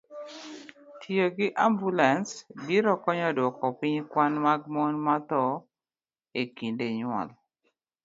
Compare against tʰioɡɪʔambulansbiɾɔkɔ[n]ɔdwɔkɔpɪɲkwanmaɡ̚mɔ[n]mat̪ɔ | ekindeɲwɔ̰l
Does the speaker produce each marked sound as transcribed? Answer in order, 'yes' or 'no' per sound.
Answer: no, yes

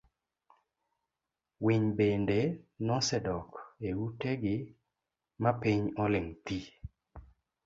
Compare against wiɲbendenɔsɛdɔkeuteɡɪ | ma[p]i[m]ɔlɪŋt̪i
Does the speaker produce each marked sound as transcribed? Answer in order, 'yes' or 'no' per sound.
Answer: yes, no

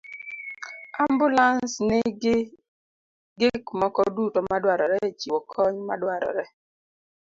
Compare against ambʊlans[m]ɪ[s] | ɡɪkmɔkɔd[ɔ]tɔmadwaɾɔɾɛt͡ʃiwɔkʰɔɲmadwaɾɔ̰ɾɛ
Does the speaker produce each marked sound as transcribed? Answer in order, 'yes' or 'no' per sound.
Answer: no, no, no

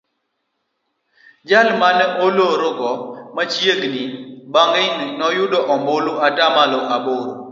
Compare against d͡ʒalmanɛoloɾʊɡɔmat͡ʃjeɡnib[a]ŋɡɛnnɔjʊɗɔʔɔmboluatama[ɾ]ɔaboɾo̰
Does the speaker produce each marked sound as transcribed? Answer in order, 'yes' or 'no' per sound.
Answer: yes, no

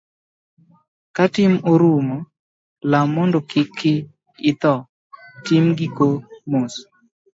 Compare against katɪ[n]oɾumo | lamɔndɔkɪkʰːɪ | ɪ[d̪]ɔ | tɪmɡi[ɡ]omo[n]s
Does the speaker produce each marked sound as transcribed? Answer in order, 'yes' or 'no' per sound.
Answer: no, no, no, no

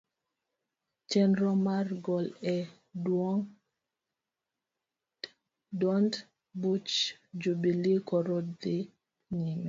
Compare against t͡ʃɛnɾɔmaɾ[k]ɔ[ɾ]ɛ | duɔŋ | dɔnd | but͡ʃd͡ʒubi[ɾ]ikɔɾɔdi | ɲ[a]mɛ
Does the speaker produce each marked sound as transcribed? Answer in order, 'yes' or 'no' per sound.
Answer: no, no, no, no

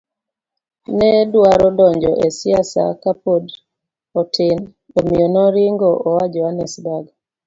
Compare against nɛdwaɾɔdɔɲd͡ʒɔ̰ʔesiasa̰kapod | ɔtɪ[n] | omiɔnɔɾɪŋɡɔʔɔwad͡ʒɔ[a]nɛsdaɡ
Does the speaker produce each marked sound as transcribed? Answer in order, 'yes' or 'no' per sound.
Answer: yes, yes

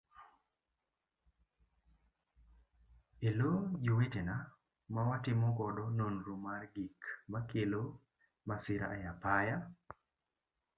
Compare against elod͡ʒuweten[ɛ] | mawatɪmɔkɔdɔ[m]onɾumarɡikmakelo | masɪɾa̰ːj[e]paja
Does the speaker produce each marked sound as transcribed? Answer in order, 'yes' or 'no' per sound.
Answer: no, no, no

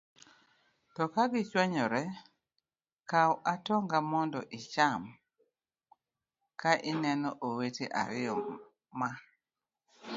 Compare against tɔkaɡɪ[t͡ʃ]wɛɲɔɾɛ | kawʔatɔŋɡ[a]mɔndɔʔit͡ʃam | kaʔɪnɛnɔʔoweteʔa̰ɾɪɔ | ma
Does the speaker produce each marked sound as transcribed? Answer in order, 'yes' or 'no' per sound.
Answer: yes, yes

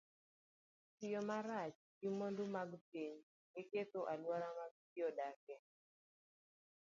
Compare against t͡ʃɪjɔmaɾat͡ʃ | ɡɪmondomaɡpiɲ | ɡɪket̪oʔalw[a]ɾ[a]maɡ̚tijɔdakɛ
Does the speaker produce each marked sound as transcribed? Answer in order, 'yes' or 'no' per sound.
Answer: yes, yes

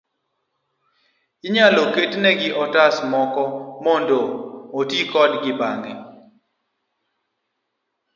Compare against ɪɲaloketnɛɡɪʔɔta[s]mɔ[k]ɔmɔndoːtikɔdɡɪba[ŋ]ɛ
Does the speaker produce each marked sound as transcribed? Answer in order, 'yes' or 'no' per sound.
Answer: yes, yes, yes

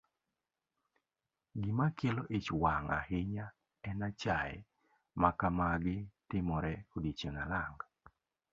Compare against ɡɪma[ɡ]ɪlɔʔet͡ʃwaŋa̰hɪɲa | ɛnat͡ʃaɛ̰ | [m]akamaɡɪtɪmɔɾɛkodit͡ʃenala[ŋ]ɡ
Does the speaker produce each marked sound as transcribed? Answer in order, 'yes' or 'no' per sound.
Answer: no, yes, yes

